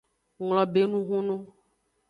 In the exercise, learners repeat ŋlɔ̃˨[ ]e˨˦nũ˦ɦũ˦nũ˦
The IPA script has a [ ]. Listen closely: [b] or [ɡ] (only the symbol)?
b